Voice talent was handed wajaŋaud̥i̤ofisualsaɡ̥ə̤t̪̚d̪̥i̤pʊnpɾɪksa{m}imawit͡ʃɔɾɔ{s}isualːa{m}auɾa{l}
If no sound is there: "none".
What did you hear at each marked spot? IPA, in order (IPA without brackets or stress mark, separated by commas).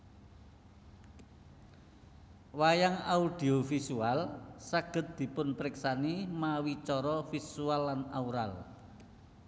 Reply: n, f, n, l